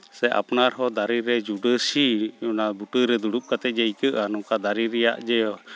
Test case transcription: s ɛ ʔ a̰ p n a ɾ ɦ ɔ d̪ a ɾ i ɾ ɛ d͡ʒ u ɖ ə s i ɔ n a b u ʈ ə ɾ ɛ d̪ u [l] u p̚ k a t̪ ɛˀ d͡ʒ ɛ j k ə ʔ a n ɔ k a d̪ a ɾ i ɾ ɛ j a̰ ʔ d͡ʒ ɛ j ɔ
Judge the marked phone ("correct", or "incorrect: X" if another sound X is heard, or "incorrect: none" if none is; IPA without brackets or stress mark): incorrect: ɽ